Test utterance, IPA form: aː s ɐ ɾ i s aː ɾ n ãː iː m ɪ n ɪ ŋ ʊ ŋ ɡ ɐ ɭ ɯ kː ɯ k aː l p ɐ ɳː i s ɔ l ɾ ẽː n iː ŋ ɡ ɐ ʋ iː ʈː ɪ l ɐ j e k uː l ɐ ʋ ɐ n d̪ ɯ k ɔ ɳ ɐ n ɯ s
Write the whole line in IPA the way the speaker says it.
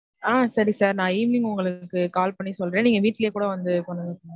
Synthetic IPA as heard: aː s ɐ ɾ i s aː ɾ n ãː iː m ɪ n ɪ ŋ ʊ ŋ ɡ ɐ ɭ ɯ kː ɯ k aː l p ɐ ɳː i s ɔ l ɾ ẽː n iː ŋ ɡ ɐ ʋ iː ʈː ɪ l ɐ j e k uː ɽ ɐ ʋ ɐ n d̪ ɯ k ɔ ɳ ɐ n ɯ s